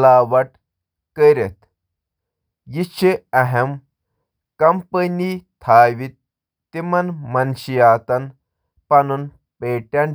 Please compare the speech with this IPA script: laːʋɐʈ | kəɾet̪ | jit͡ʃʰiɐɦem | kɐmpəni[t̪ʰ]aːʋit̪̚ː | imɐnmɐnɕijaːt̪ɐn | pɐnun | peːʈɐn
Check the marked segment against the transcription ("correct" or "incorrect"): correct